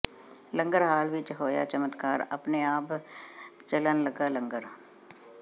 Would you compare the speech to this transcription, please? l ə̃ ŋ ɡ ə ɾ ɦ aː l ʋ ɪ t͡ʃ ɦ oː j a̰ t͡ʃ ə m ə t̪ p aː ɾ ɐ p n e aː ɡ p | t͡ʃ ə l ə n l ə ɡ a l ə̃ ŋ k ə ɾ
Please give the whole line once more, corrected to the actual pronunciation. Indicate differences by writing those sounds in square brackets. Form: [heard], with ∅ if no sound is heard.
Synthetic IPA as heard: l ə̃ ŋ ɡ ə ɾ ɦ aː l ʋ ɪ t͡ʃ ɦ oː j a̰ t͡ʃ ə m ə t̪ [k] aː ɾ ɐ p n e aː [∅] p | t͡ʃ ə l ə n l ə ɡ a l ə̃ ŋ [ɡ] ə ɾ